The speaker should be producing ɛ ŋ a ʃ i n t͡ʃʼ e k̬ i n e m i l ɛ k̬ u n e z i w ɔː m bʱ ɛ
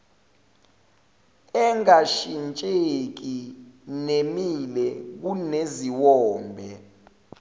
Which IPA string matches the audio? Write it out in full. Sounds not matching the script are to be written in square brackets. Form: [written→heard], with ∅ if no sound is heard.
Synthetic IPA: ɛ ŋ a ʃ i n t͡ʃʼ e k̬ i n e m i l ɛ k̬ u n e z i w ɔː m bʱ ɛ